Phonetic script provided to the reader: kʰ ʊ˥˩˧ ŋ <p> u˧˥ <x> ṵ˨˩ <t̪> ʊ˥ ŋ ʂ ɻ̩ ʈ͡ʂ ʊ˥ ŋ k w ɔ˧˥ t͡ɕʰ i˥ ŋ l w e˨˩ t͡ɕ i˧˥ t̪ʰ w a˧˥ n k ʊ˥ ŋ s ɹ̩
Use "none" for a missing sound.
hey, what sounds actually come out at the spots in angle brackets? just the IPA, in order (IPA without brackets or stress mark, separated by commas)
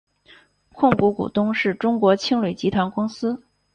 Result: k, k, t̪